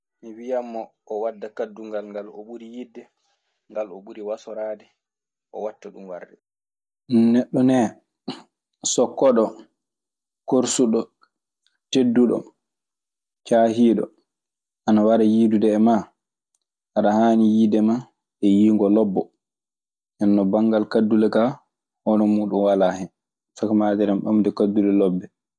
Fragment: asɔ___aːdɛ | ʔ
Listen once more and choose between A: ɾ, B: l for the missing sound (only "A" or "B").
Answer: A